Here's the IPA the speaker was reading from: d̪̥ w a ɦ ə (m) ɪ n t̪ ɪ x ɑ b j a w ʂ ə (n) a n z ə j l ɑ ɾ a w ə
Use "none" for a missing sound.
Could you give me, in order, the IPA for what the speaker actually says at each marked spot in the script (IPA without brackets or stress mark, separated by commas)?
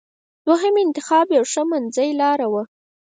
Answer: m, m